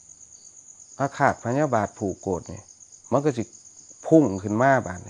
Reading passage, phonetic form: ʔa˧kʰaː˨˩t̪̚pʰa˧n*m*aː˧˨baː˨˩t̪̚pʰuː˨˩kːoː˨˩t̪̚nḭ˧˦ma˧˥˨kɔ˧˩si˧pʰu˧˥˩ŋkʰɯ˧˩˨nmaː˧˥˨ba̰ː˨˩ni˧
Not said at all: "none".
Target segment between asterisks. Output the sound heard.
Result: ɲ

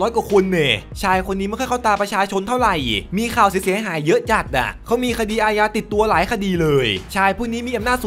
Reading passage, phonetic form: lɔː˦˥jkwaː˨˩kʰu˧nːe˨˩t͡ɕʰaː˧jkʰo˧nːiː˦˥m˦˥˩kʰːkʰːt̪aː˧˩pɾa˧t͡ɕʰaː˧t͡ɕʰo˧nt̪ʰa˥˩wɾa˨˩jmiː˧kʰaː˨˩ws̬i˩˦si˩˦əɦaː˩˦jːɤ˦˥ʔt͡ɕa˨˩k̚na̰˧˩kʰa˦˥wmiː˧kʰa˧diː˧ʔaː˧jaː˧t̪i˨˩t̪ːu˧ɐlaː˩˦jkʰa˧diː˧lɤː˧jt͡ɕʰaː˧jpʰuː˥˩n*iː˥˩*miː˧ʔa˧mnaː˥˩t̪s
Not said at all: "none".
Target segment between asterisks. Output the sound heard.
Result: iː˦˥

